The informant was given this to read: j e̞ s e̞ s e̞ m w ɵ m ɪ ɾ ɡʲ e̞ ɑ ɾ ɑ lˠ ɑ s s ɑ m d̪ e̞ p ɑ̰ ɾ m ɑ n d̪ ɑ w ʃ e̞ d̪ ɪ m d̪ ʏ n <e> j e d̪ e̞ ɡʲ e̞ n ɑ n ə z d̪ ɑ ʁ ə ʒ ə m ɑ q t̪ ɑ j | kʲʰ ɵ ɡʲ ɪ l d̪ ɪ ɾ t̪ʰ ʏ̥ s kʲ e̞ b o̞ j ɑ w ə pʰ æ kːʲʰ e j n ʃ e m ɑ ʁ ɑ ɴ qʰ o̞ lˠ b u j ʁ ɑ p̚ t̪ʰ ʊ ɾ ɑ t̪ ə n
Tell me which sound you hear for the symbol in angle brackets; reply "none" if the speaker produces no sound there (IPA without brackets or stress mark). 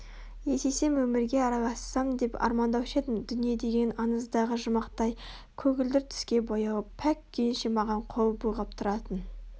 i